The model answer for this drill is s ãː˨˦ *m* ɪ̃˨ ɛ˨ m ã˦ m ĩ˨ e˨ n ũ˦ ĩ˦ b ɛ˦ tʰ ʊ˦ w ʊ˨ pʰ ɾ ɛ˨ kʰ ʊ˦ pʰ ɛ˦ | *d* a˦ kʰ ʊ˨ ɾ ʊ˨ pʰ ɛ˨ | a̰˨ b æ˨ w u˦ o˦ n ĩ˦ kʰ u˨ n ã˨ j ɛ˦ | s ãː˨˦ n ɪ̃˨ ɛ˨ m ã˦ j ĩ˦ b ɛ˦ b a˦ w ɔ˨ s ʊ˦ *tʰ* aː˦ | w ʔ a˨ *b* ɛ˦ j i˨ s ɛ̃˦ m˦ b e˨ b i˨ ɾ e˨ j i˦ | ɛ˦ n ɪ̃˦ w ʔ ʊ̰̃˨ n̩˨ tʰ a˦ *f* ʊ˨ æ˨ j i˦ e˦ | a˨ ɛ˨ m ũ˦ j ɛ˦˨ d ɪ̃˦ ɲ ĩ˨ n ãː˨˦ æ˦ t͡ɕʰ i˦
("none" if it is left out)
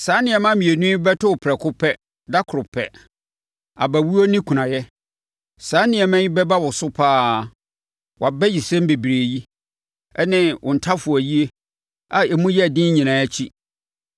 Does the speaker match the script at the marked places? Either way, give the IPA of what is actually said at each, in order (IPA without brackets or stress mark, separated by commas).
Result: n, d, pʰ, b, f